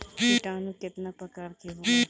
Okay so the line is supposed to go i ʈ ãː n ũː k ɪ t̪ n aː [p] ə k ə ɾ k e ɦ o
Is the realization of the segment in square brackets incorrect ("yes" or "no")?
no